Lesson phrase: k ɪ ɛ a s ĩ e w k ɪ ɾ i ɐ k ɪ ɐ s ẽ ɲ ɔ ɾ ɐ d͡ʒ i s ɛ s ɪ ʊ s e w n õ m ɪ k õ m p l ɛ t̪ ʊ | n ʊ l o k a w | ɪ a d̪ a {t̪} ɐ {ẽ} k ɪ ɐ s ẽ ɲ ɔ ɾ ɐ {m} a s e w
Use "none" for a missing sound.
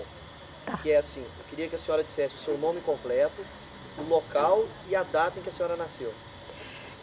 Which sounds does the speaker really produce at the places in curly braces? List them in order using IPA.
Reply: t̪, ẽ, n

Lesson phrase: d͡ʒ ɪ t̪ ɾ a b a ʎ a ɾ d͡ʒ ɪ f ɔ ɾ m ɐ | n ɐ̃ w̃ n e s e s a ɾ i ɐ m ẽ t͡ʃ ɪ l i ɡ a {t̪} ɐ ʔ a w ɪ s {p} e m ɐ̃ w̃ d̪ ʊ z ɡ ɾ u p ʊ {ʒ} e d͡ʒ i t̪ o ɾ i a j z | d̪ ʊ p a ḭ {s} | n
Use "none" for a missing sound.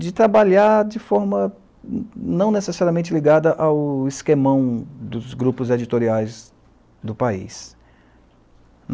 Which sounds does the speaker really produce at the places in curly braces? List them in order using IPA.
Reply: d̪, k, z, s

